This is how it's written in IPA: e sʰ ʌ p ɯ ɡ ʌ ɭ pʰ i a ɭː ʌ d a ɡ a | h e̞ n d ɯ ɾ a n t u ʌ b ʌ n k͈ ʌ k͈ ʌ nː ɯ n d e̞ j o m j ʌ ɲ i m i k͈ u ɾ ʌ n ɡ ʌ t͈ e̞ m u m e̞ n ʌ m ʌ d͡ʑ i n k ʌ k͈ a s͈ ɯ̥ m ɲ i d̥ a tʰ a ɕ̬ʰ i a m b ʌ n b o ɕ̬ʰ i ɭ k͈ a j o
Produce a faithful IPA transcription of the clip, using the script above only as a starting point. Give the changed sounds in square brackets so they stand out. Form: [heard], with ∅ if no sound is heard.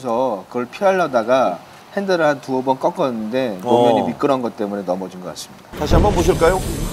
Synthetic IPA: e sʰ ʌ [k] ɯ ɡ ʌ ɭ pʰ i a ɭː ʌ d a ɡ a | h e̞ n d ɯ ɾ a n t u ʌ b ʌ n k͈ ʌ k͈ ʌ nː ɯ n d e̞ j o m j ʌ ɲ i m i k͈ [ɯ] ɾ ʌ n ɡ ʌ t͈ e̞ m u [n] e̞ n ʌ m ʌ d͡ʑ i n [ɡ] ʌ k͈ a s͈ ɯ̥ m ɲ i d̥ a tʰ a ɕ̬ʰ i a m b ʌ n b o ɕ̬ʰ i ɭ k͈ a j o